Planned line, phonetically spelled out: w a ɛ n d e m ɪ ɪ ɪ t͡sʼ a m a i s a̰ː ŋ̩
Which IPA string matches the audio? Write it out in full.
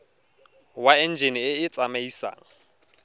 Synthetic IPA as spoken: w a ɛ n d͡ʒ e n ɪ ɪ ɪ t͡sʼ a m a i s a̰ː ŋ̩